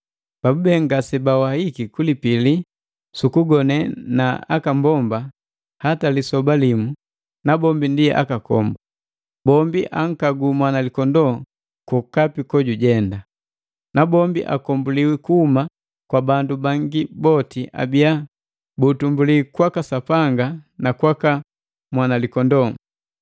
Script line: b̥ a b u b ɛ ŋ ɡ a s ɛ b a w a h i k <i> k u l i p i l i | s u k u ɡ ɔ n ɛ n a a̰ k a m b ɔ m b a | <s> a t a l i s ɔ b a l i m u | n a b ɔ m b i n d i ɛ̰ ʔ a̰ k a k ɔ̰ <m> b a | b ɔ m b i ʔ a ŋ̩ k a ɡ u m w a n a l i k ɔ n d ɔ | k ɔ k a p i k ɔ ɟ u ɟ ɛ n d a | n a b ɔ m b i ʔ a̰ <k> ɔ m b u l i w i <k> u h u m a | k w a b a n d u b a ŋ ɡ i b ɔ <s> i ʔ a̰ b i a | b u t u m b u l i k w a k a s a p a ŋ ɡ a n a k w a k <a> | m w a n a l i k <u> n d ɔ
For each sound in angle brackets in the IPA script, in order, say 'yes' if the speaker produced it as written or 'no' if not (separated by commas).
yes, no, yes, yes, yes, no, yes, no